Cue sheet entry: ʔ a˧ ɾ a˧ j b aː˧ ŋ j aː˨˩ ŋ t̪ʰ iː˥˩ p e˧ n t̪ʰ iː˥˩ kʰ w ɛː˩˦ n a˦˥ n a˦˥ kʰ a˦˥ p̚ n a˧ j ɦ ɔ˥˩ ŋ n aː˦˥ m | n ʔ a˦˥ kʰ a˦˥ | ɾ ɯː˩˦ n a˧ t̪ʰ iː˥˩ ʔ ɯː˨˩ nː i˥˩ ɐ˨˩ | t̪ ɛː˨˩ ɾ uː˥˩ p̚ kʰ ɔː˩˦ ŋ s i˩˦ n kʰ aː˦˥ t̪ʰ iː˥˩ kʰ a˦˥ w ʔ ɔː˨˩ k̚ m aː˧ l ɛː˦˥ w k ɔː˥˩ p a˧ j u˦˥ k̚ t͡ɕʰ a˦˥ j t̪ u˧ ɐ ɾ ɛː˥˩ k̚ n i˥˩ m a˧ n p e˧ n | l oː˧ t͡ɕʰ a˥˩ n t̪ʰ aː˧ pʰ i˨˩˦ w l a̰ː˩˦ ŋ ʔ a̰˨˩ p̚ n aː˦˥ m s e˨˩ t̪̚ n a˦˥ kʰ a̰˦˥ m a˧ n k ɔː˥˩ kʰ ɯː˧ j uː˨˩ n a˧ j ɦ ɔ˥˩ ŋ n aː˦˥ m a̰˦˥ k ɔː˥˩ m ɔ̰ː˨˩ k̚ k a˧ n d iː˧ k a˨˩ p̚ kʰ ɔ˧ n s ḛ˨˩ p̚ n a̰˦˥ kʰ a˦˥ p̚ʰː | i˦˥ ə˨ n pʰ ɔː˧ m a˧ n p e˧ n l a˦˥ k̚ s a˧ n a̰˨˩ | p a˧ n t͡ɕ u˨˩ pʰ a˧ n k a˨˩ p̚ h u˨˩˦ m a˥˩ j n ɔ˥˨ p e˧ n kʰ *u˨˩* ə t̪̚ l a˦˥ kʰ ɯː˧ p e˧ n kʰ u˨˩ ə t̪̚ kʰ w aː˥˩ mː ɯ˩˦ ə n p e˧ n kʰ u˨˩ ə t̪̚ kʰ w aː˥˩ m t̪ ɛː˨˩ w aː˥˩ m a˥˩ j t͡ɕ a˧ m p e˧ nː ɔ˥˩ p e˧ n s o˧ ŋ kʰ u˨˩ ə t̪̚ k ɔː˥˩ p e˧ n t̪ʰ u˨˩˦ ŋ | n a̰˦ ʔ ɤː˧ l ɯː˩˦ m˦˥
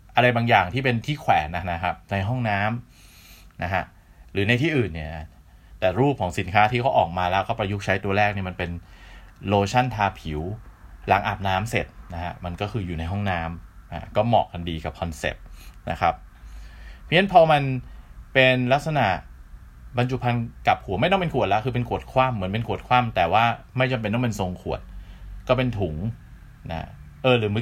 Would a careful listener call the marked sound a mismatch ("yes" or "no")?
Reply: no